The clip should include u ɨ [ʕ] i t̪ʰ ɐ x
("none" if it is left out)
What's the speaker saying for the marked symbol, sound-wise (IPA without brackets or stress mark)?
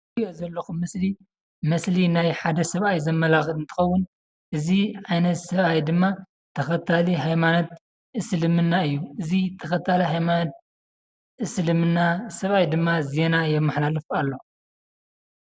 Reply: z